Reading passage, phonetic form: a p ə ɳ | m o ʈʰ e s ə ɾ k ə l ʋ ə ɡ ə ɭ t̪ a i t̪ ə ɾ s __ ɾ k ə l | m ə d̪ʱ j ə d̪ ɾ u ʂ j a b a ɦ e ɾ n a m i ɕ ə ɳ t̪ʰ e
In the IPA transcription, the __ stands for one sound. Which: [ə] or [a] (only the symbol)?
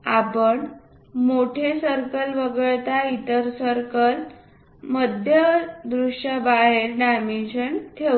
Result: ə